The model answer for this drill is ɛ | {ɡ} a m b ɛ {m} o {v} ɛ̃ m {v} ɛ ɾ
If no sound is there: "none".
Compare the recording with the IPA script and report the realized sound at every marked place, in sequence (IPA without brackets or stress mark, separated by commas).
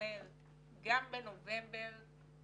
ɡ, n, v, b